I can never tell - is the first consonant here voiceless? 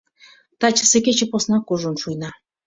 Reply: yes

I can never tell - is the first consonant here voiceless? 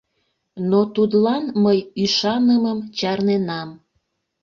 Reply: no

